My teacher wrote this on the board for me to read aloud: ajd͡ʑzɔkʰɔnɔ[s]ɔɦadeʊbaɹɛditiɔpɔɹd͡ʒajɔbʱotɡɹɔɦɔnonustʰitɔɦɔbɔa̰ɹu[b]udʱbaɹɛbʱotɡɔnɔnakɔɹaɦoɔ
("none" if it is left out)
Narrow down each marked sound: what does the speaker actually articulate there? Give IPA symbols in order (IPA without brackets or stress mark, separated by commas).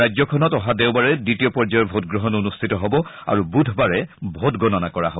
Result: t, b